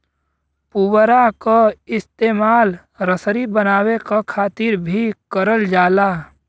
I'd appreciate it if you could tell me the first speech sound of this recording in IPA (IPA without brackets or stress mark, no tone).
p